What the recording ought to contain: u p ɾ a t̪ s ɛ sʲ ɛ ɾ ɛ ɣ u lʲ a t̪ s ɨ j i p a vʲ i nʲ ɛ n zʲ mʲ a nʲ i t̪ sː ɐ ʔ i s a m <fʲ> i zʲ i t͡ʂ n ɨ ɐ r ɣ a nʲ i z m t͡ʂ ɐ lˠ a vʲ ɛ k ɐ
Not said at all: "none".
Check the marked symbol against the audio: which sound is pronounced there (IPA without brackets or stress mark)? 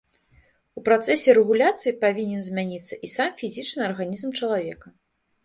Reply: fʲ